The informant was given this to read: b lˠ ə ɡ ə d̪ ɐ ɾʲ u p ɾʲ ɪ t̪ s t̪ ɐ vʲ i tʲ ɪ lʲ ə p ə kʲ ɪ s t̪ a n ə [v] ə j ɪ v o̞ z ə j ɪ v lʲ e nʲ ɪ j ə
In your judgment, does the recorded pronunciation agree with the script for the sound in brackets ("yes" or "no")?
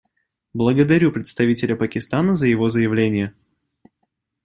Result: no